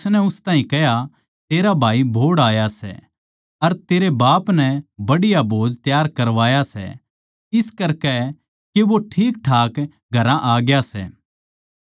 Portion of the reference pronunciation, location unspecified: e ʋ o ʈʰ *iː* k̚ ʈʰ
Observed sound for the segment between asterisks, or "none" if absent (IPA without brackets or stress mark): iː